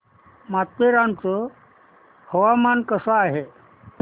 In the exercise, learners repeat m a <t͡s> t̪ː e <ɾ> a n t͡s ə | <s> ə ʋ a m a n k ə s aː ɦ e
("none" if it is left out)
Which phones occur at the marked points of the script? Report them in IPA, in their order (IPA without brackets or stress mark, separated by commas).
none, ɾ, h